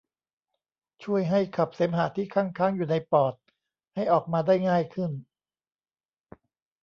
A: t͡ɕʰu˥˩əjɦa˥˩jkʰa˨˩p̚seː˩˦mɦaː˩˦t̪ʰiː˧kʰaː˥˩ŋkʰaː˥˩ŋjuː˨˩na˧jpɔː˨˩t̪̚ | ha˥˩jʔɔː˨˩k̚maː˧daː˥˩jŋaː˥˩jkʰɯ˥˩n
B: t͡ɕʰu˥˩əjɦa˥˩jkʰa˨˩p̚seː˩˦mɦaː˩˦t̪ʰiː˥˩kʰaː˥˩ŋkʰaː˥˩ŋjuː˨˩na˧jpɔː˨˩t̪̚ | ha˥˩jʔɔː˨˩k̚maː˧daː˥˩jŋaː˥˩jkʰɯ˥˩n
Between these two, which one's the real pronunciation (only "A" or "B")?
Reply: B